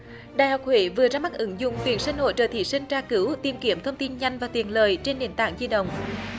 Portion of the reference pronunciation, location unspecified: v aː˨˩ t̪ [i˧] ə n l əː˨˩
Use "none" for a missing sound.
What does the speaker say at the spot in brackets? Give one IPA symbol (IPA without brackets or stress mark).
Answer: i˨˩